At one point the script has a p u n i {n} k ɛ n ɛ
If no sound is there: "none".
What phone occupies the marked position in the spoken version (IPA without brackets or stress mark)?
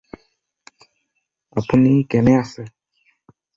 none